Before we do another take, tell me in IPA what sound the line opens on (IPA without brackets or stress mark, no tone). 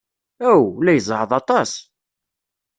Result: æ